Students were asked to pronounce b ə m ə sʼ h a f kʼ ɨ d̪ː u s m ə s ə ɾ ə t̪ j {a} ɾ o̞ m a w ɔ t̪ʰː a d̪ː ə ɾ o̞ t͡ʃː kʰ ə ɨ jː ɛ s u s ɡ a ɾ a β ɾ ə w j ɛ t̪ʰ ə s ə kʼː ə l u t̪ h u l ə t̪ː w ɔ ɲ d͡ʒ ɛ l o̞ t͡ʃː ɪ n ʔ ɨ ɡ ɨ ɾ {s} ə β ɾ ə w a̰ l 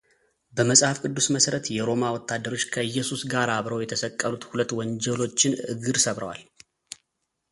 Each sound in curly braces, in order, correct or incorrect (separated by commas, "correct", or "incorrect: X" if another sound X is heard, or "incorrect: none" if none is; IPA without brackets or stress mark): incorrect: ɛ, correct